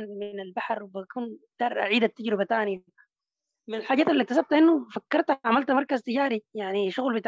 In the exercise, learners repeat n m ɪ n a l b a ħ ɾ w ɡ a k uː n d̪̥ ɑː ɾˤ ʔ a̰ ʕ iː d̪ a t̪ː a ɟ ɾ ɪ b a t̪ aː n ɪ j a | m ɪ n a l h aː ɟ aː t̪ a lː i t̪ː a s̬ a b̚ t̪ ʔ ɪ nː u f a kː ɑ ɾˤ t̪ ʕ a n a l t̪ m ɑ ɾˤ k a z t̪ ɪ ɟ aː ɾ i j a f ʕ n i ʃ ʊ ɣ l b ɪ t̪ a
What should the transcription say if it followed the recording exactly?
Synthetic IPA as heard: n m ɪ n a l b a ħ ɾ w b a k uː n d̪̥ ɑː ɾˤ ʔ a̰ ʕ iː d̪ a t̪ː a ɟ ɾ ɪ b a t̪ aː n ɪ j a | m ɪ n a l ħ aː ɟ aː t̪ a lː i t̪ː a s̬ a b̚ t̪ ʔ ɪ nː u f a kː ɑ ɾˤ t̪ ʕ a m a l t̪ m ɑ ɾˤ k a z t̪ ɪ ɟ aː ɾ i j a ʕ n i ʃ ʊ ɣ l b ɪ t̪ a